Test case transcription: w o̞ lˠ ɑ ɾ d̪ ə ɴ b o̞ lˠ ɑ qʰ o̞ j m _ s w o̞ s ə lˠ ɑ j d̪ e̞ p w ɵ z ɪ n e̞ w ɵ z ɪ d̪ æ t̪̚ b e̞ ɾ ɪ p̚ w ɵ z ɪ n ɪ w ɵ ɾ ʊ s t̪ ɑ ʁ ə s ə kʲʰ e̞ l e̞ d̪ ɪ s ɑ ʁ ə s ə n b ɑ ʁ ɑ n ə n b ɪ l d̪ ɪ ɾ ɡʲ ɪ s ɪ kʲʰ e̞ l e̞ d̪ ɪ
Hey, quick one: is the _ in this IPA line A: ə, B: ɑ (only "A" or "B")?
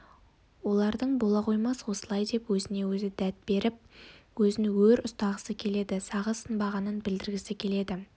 B